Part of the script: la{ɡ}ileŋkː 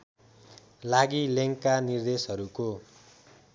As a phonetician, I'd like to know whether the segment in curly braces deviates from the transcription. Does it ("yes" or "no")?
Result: no